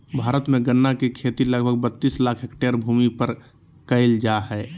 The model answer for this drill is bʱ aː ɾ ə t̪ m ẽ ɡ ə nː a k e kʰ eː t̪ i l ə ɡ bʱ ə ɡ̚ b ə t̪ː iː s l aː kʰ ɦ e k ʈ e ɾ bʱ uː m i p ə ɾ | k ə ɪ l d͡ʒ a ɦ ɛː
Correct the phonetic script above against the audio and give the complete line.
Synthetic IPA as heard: bʱ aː ɾ ə t̪ m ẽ ɡ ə nː a k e kʰ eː t̪ i l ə ɡ bʱ ə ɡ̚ b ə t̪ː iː s l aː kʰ ɦ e k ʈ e ɾ bʱ uː m i p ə ɾ | k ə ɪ l d͡ʒ a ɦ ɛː